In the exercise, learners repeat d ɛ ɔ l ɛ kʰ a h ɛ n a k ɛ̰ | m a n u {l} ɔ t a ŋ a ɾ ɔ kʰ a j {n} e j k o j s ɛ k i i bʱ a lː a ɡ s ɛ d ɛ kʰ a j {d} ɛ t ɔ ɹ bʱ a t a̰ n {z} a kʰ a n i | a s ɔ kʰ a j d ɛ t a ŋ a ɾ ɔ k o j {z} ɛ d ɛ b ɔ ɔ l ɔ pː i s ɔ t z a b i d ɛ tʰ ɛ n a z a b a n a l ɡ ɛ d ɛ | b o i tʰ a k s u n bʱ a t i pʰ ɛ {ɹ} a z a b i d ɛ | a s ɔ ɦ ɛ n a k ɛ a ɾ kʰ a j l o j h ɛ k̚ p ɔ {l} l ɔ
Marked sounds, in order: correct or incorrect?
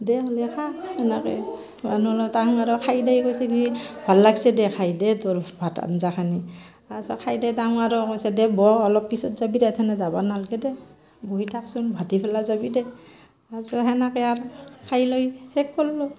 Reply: correct, incorrect: d, correct, correct, incorrect: s, incorrect: l, correct

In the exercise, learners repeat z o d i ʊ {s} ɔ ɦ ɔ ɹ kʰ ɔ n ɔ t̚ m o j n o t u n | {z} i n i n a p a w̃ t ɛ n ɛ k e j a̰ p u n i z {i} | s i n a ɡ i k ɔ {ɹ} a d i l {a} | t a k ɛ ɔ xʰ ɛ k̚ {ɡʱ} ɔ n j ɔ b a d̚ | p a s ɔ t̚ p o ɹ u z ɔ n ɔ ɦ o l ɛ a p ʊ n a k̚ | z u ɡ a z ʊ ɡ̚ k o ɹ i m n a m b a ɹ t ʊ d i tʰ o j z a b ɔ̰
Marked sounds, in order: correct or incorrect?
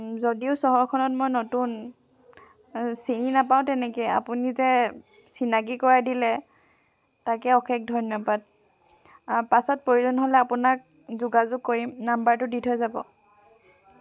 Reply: correct, incorrect: s, incorrect: ɛ, correct, incorrect: ɛ, incorrect: dʱ

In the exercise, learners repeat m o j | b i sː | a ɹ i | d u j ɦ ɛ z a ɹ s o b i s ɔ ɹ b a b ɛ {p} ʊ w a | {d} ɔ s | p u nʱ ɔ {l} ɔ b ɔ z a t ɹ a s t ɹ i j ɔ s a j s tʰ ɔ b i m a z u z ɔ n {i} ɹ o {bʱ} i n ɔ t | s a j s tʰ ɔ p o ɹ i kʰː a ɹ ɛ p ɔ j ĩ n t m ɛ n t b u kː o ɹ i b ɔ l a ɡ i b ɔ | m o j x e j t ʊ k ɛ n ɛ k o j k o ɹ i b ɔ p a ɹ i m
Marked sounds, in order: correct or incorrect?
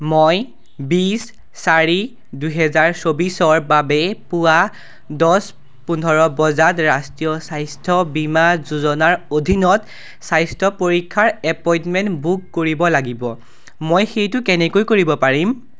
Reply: correct, correct, incorrect: ɹ, incorrect: a, incorrect: dʱ

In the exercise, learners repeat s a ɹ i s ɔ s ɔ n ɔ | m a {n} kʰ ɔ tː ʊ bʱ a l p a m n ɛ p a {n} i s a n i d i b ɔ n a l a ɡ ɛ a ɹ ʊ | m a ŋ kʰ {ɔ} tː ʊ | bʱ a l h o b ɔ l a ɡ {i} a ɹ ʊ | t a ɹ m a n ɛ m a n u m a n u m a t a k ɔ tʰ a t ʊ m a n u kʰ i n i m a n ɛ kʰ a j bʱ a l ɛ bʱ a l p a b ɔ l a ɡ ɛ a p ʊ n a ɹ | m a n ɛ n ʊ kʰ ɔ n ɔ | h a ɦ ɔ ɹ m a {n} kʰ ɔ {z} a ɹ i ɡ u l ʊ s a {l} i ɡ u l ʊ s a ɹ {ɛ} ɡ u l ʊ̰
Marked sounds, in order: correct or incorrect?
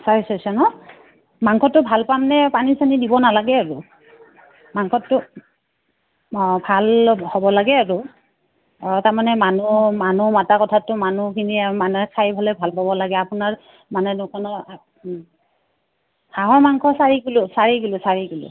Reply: incorrect: ŋ, correct, correct, incorrect: ɛ, incorrect: ŋ, incorrect: s, incorrect: ɹ, incorrect: i

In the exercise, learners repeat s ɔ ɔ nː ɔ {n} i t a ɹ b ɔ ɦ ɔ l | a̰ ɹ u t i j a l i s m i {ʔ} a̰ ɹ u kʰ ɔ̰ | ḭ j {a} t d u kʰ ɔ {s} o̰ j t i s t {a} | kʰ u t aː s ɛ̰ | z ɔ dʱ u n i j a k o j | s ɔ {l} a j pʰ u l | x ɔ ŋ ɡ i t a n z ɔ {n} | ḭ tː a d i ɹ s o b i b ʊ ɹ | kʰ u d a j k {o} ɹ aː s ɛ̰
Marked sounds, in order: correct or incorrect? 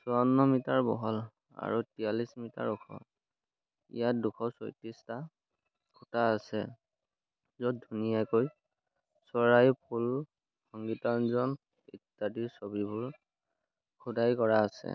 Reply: incorrect: m, incorrect: t, correct, correct, correct, incorrect: ɹ, correct, incorrect: ɔ

